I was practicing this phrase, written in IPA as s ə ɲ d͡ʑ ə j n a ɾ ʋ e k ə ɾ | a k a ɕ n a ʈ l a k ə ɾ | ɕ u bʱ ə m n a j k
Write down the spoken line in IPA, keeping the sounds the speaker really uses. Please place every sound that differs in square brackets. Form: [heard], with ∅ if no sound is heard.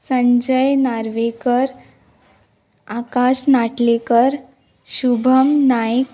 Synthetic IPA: s ə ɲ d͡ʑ ə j n a ɾ ʋ e k ə ɾ | a k a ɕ n a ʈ l [e] k ə ɾ | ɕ u bʱ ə m n a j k